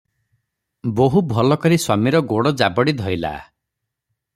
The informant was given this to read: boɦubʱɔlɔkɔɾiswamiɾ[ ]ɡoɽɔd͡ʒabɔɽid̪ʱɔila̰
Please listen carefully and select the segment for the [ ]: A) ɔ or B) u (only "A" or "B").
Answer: A